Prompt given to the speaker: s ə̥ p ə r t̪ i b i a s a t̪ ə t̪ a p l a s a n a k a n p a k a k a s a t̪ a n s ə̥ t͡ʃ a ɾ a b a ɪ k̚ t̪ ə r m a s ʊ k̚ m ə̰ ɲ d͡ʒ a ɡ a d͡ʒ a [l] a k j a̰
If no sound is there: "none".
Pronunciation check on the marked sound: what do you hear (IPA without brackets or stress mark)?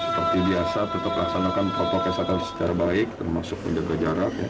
ɾ